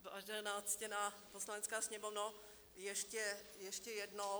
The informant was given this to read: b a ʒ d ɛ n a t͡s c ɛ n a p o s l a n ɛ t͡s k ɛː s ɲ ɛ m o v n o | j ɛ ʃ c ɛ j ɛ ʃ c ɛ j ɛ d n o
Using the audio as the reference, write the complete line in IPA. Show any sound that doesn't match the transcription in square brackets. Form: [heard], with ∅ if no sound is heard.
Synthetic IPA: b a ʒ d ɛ n a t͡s c ɛ n a p o s l a n ɛ t͡s k [aː] s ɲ ɛ m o v n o | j ɛ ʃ c ɛ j ɛ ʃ c ɛ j ɛ d n o